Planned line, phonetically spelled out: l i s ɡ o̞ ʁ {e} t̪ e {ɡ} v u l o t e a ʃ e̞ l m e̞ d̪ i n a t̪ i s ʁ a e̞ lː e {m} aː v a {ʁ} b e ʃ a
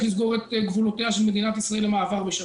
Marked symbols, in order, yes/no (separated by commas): yes, yes, yes, yes